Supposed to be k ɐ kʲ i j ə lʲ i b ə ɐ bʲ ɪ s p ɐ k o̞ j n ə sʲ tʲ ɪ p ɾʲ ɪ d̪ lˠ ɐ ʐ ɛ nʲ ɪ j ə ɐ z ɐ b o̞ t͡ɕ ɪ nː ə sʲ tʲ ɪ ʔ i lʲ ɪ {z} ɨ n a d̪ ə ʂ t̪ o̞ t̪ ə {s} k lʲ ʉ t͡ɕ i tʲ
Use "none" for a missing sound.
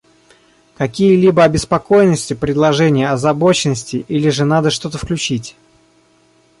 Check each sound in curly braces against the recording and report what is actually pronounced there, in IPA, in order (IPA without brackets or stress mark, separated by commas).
ʐ, f